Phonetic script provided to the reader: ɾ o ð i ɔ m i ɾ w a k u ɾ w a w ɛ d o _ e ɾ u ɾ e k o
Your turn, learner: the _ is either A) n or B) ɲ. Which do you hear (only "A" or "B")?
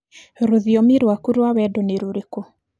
A